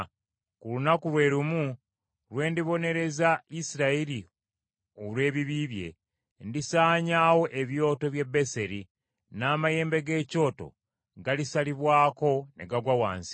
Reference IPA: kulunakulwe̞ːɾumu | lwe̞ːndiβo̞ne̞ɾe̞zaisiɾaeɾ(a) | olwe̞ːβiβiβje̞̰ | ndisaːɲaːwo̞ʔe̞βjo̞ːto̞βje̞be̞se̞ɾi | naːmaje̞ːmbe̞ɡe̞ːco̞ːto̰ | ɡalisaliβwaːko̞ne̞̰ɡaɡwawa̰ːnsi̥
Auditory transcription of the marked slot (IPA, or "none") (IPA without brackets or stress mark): i